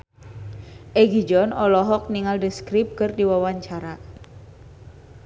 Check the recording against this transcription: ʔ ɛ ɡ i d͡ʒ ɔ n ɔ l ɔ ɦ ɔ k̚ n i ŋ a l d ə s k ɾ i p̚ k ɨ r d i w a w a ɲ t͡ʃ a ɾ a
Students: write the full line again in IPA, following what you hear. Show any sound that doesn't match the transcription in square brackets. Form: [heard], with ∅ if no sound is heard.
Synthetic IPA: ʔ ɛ ɡ i d͡ʒ ɔ n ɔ l ɔ ɦ ɔ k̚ n i ŋ a l d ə s k ɾ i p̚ k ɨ r d i w a w a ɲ t͡ʃ a ɾ a